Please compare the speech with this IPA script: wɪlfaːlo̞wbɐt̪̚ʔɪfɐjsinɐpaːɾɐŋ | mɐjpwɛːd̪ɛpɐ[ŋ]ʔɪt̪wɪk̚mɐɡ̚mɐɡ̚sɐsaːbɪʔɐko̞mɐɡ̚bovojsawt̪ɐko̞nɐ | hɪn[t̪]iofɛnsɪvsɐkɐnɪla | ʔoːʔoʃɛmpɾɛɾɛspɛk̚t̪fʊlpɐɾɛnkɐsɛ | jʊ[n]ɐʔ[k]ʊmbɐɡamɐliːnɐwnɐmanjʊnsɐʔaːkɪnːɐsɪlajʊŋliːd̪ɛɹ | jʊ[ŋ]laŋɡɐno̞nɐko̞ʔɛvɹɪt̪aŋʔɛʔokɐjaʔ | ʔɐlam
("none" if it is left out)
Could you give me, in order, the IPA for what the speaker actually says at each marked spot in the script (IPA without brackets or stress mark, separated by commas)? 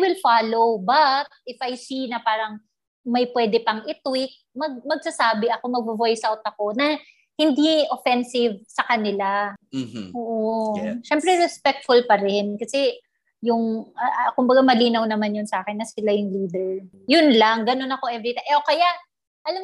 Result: ŋ, d̪, ŋ, k, n